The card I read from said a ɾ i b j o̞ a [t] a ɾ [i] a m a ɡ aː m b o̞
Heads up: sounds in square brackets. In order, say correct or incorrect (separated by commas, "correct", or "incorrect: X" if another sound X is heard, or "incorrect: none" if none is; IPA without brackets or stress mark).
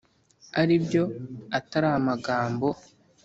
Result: correct, incorrect: a